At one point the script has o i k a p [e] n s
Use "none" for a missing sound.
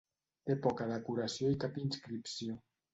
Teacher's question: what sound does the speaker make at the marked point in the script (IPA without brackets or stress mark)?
i